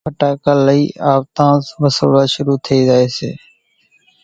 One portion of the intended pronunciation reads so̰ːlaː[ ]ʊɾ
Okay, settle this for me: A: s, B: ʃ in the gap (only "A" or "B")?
B